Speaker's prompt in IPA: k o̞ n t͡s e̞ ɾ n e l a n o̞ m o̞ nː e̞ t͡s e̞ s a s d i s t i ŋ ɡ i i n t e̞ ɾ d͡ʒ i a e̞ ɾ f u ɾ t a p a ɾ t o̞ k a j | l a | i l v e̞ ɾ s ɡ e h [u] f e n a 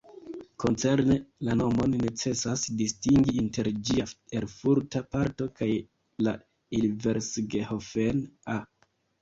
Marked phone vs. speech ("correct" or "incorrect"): incorrect